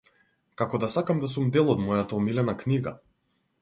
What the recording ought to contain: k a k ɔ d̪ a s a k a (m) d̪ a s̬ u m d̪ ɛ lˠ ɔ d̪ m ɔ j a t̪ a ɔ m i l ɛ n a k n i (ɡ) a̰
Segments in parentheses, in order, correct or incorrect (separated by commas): correct, correct